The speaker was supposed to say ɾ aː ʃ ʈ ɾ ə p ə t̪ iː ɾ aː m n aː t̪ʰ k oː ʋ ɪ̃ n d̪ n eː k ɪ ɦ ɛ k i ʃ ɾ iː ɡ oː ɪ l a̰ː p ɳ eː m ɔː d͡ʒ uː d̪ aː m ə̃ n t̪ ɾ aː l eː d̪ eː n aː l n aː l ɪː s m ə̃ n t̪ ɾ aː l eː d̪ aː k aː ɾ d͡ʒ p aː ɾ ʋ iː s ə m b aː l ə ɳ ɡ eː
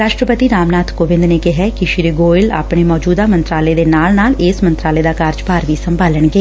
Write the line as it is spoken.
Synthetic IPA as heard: ɾ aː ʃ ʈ ɾ ə p ə t̪ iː ɾ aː m n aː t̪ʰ k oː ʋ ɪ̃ n d̪ n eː k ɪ ɦ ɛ k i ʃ ɾ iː ɡ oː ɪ l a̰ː p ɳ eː m ɔː d͡ʒ uː d̪ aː m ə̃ n t̪ ɾ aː l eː d̪ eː n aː l n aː l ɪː s m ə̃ n t̪ ɾ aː l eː d̪ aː k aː ɾ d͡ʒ p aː ɾ ʋ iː s ə m b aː l ə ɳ ɡ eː